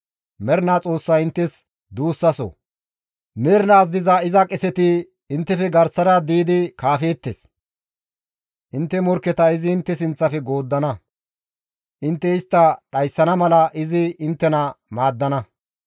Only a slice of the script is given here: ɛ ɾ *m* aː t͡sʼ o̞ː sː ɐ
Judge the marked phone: incorrect: n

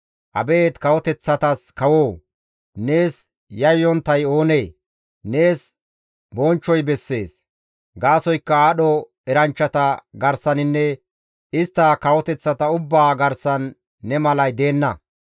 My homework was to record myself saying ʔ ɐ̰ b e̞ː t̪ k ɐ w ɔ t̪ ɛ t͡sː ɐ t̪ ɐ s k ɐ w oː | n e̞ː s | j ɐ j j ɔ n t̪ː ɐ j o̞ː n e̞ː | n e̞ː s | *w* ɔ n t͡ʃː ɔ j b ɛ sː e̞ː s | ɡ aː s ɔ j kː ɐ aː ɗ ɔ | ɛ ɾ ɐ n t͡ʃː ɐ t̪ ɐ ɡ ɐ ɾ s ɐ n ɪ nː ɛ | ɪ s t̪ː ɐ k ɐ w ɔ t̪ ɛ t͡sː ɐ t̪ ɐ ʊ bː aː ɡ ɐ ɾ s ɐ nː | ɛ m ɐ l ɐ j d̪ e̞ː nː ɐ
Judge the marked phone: incorrect: b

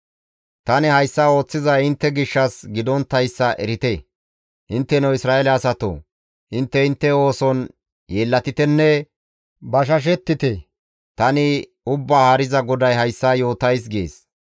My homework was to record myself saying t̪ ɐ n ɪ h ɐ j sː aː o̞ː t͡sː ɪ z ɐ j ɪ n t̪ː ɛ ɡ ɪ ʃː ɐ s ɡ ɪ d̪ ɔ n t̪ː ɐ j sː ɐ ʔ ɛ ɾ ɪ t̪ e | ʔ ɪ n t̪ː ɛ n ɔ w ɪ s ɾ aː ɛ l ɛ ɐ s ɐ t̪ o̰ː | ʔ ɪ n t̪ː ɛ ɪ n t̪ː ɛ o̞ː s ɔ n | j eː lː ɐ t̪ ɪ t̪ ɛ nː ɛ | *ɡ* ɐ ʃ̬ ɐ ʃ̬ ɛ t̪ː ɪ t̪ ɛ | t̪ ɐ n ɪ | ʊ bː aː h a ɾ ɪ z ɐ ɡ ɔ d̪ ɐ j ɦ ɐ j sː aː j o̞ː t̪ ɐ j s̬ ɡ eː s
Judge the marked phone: incorrect: b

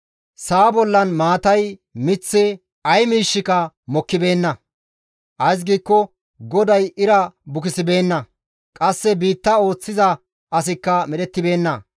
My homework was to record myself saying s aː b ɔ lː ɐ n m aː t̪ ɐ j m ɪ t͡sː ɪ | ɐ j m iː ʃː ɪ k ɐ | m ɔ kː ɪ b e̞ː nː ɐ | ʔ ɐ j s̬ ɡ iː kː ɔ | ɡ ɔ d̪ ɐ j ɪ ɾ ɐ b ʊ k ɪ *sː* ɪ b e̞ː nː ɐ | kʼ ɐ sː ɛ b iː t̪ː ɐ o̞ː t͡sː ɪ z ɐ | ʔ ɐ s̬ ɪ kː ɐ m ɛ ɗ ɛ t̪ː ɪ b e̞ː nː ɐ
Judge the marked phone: incorrect: s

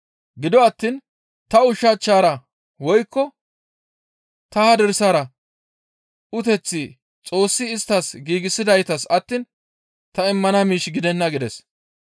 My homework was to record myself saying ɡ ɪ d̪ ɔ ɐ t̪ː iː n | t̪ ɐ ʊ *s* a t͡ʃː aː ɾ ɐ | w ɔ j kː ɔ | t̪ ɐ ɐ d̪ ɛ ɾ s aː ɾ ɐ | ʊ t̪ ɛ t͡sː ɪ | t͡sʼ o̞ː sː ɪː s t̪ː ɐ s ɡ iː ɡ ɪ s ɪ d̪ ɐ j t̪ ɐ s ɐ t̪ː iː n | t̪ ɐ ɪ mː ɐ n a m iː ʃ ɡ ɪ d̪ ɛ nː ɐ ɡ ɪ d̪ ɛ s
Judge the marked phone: incorrect: ʃ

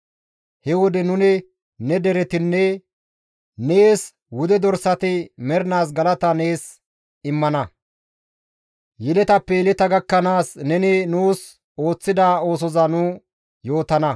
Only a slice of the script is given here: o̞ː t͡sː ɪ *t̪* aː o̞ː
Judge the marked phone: incorrect: d̪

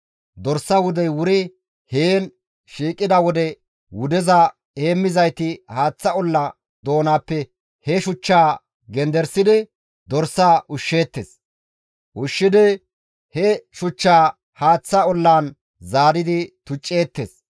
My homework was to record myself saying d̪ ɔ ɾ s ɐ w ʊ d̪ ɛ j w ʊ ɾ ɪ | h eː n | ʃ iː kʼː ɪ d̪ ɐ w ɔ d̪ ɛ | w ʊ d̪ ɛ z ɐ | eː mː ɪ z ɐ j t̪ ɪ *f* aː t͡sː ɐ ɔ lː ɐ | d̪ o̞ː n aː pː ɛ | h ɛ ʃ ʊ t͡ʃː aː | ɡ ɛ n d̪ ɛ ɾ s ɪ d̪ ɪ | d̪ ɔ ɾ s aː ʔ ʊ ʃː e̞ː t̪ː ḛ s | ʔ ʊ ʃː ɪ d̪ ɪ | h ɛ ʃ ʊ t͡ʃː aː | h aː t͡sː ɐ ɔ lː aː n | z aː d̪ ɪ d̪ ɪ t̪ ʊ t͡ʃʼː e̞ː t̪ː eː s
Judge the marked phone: incorrect: h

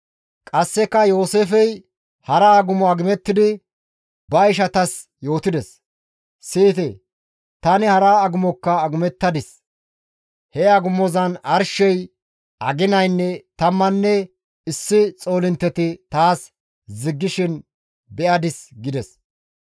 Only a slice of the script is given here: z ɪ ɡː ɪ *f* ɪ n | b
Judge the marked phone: incorrect: ʃ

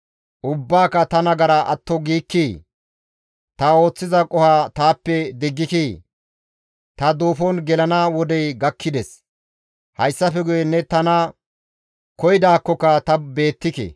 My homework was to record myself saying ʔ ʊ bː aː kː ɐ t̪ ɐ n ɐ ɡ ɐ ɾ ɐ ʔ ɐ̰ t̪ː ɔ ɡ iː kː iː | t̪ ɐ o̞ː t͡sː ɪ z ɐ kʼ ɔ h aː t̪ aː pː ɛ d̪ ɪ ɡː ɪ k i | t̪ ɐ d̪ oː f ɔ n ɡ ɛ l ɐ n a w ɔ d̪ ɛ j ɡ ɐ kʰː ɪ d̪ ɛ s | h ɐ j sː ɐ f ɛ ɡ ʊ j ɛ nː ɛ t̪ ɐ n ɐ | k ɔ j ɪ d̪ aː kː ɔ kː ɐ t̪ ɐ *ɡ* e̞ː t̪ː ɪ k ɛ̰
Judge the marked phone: incorrect: b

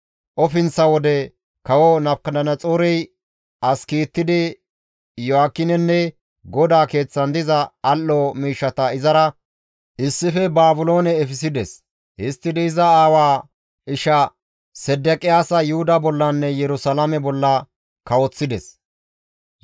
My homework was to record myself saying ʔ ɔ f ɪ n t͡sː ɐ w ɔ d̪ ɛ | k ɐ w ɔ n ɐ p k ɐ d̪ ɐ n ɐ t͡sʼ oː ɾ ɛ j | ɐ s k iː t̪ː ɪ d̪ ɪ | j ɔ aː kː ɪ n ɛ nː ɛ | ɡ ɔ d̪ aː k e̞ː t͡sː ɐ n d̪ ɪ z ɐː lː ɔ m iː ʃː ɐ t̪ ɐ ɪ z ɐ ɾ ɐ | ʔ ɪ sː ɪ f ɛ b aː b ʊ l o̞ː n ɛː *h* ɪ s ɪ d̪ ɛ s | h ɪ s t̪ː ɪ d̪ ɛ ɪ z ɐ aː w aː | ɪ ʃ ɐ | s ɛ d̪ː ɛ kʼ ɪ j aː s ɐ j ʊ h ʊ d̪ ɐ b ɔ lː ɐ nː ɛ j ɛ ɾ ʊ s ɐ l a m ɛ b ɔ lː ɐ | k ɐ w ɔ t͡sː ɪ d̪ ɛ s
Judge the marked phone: incorrect: f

